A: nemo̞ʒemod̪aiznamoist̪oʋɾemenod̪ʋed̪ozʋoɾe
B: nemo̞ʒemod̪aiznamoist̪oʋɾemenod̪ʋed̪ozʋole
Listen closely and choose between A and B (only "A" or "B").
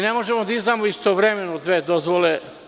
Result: B